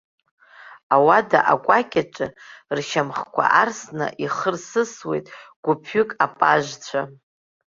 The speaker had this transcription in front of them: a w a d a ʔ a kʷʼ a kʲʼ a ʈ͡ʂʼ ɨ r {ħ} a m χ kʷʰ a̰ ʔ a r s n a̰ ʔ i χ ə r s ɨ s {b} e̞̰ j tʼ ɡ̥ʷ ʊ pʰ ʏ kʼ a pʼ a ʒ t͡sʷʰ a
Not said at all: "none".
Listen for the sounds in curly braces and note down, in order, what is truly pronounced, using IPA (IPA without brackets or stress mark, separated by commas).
ʃ, w